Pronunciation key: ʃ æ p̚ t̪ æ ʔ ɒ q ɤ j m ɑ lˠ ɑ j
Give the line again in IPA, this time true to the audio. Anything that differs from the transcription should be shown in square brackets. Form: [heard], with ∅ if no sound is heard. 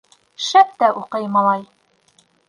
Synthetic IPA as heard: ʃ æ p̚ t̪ æ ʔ [u] q ɤ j m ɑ lˠ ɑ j